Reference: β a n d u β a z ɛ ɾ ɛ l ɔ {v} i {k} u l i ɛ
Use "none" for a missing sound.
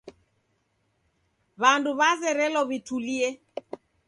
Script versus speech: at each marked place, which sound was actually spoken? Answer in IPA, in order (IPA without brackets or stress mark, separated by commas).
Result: β, t